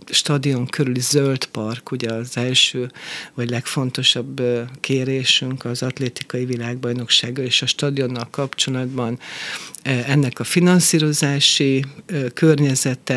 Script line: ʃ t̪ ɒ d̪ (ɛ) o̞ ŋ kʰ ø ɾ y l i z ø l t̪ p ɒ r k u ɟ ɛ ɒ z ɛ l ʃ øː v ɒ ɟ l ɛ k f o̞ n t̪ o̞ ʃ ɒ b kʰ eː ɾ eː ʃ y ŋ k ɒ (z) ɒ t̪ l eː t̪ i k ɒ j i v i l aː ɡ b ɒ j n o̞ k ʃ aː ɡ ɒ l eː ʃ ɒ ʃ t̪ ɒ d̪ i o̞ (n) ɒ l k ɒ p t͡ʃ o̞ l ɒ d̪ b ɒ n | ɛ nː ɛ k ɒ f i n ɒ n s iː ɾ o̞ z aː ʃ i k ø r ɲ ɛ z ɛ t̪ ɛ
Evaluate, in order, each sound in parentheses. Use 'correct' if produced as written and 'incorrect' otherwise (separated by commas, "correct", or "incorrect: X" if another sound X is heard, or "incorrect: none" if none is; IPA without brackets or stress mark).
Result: incorrect: i, correct, incorrect: nː